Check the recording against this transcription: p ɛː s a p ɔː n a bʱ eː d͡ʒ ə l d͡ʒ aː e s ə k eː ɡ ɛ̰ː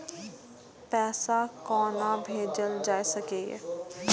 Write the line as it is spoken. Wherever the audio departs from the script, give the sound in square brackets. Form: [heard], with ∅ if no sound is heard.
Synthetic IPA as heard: p ɛː s a [k] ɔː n a bʱ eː d͡ʒ ə l d͡ʒ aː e s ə k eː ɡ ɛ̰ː